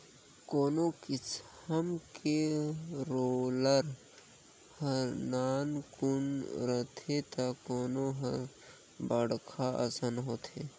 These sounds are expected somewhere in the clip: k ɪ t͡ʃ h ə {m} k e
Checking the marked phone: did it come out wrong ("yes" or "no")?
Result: no